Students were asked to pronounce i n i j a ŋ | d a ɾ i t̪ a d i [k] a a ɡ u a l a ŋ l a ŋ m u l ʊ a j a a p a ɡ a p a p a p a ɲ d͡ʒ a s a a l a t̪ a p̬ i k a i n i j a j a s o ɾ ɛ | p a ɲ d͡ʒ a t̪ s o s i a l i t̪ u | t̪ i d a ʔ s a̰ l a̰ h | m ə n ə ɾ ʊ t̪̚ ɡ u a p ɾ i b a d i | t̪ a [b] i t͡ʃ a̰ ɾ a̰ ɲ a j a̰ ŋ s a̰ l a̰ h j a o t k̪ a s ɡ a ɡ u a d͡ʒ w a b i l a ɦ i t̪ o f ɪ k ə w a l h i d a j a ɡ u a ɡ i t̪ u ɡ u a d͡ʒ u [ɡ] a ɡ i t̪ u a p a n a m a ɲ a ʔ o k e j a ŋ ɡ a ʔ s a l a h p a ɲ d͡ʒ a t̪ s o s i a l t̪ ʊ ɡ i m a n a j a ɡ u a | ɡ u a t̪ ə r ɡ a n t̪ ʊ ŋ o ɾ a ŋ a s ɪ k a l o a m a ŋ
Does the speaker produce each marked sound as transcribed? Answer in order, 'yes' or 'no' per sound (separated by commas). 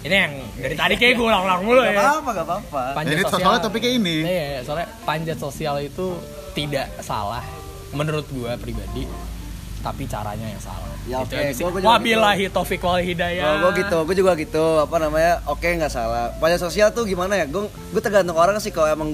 yes, no, yes